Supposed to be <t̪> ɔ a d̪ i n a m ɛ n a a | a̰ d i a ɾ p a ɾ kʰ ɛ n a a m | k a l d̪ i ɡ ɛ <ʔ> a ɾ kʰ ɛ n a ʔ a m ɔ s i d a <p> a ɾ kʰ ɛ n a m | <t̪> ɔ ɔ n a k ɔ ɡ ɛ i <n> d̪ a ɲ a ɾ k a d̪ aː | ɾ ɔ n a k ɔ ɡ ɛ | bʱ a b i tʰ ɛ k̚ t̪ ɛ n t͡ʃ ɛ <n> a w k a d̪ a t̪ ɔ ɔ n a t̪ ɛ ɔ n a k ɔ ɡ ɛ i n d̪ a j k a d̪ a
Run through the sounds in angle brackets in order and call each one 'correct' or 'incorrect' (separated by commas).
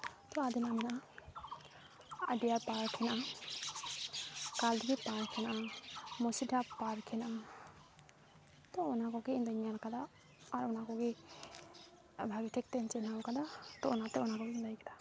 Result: correct, incorrect, correct, correct, correct, correct